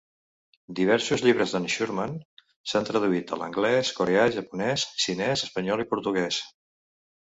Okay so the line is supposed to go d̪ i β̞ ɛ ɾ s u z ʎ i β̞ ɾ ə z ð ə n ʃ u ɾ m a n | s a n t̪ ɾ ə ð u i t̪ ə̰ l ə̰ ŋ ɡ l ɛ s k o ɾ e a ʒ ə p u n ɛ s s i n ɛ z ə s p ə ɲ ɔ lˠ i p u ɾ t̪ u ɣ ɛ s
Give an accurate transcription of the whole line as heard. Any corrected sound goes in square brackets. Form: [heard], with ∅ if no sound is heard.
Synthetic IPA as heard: d̪ i β̞ ɛ ɾ s u z ʎ i β̞ ɾ ə z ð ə n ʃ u ɾ m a n | s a n t̪ ɾ ə ð u i t̪ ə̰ l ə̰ ŋ ɡ l ɛ s k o ɾ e a ʒ ə p u n ɛ s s i n ɛ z ə s p ə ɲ ɔ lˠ i p u ɾ t̪ u ɣ ɛ s